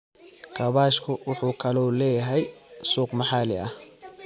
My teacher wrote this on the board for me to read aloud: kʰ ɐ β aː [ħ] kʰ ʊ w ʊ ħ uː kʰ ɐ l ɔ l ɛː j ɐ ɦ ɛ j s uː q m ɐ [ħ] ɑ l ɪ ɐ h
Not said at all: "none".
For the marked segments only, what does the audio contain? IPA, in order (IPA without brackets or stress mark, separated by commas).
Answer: ʃ, ħ